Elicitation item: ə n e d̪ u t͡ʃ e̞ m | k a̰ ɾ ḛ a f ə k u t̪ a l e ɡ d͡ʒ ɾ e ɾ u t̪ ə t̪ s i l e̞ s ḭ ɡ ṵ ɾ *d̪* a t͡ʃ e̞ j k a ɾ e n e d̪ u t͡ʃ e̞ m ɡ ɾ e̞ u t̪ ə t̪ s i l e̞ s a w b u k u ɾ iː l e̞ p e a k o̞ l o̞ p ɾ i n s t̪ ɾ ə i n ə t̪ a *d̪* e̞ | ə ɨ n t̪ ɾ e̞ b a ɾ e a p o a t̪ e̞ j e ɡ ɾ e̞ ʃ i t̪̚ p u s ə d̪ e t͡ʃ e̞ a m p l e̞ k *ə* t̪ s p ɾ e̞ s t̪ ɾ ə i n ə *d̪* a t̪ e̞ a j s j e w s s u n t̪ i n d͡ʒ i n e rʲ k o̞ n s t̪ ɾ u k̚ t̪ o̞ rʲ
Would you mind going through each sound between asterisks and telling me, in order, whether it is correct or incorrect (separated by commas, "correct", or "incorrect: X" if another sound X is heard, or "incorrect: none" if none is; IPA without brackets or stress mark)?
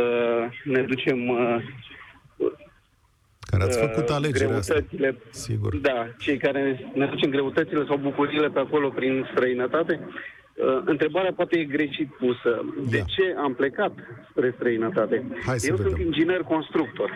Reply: correct, incorrect: t̪, incorrect: a, incorrect: t̪